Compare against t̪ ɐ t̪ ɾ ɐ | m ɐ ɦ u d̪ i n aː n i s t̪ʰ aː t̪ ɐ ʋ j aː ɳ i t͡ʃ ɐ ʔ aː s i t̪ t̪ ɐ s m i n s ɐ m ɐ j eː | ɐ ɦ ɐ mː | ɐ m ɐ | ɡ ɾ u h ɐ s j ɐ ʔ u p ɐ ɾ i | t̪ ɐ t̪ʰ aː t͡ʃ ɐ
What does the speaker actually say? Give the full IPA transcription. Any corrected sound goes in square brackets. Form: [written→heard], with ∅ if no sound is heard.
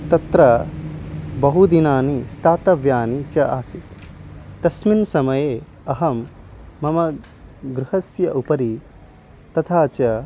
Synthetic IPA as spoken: t̪ ɐ t̪ ɾ ɐ | [m→b] ɐ ɦ u d̪ i n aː n i s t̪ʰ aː t̪ ɐ ʋ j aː [ɳ→n] i t͡ʃ ɐ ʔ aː s i t̪ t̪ ɐ s m i n s ɐ m ɐ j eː | ɐ ɦ ɐ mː | ɐ m ɐ | ɡ ɾ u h ɐ s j ɐ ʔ u p ɐ ɾ i | t̪ ɐ t̪ʰ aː t͡ʃ ɐ